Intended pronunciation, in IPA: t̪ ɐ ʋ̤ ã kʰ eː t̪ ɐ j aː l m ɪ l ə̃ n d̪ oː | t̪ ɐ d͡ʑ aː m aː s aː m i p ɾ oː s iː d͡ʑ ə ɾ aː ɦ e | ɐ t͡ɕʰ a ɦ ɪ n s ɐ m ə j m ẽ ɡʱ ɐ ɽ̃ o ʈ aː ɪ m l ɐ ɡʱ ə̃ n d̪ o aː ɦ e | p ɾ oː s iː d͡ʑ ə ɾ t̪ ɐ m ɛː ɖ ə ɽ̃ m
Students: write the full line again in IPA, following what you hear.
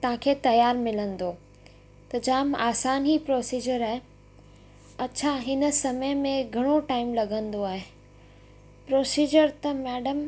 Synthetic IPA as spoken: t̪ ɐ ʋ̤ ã kʰ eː t̪ ɐ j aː ɾ m ɪ l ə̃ n d̪ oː | t̪ ɐ d͡ʑ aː m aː s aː n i p ɾ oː s iː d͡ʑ ə ɾ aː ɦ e | ɐ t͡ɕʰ a ɦ ɪ n s ɐ m ə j m ẽ ɡʱ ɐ ɽ̃ o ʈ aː ɪ m l ɐ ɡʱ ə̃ n d̪ o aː ɦ e | p ɾ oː s iː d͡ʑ ə ɾ t̪ ɐ m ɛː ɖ ə m